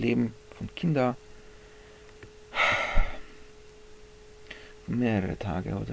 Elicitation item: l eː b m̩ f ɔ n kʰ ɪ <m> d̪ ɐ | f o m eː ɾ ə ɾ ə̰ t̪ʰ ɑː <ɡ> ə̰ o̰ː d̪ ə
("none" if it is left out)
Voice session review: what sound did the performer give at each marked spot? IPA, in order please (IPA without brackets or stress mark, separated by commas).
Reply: n, ɡ